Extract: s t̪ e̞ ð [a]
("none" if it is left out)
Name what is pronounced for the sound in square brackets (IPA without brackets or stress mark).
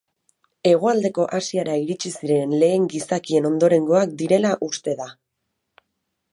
a